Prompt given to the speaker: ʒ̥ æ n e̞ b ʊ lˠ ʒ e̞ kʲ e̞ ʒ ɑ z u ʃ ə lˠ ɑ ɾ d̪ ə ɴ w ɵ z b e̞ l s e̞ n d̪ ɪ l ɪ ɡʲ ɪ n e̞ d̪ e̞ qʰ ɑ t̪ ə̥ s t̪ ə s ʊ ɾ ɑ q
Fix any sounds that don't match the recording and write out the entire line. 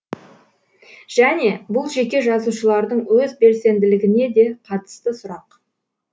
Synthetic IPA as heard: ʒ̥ æ n e̞ b ʊ lˠ ʒ e̞ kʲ e̞ ʒ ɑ z u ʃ ə lˠ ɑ ɾ d̪ ə ɴ w ɵ z b e̞ l s e̞ n d̪ ɪ l ɪ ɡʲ ɪ n e̞ d̪ e̞ qʰ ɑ t̪ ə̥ s t̪ ə s ʊ ɾ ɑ q